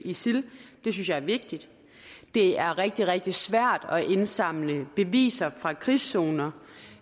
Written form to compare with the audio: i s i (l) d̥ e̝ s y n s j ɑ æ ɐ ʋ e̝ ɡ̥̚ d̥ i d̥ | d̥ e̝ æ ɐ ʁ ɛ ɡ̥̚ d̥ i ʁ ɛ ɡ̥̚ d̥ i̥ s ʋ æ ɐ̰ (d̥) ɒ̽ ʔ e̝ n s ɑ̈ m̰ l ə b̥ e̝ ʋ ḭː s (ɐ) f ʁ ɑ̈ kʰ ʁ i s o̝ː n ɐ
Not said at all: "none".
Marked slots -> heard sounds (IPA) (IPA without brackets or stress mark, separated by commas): l, d̥, ɐ